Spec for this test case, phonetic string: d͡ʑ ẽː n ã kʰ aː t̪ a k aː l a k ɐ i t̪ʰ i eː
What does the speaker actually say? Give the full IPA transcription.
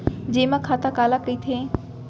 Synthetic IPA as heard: d͡ʑ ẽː m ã kʰ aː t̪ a k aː l a k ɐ i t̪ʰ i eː